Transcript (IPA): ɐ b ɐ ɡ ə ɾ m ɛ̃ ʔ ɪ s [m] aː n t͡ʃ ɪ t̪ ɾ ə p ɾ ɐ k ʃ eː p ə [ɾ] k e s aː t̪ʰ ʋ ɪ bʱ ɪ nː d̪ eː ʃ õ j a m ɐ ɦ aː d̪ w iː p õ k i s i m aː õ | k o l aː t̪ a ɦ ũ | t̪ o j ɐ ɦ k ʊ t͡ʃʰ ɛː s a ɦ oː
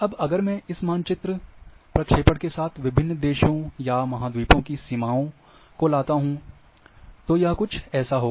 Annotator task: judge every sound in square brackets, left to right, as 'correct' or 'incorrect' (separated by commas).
correct, incorrect